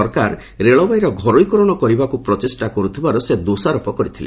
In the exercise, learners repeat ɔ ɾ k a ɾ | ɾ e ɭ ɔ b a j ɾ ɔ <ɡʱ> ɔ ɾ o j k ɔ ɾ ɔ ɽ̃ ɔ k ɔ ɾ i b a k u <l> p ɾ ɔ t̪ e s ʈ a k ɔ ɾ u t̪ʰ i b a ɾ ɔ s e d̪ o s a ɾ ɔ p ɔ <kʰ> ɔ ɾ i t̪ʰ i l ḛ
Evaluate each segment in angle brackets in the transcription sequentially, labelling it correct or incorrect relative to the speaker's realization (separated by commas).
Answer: correct, incorrect, incorrect